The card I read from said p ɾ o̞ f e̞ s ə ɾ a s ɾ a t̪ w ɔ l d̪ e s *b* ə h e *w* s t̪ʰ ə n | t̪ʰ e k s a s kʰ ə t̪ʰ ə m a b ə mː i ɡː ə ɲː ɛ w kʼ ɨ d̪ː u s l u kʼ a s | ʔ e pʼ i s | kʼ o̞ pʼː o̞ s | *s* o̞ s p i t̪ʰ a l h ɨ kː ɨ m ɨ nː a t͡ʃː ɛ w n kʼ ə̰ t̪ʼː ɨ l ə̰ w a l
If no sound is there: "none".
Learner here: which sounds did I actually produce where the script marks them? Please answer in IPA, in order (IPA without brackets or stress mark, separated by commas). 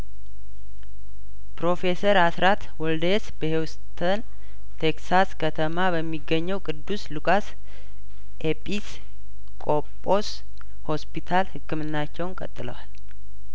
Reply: b, w, h